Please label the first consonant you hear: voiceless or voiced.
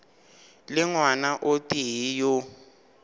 voiced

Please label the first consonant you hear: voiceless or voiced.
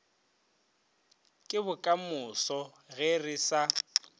voiceless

